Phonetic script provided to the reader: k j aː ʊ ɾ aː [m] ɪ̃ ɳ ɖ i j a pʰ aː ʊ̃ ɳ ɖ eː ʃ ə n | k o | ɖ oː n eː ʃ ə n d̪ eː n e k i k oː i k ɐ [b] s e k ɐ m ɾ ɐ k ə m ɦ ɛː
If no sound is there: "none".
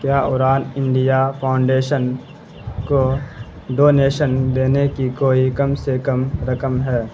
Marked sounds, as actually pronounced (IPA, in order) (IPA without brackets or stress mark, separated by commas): n, m